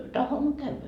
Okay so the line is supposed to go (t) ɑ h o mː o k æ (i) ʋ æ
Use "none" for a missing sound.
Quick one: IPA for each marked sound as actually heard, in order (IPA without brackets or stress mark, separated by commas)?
t, y